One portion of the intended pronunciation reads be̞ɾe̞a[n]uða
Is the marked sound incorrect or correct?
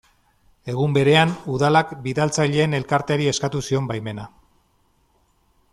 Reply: correct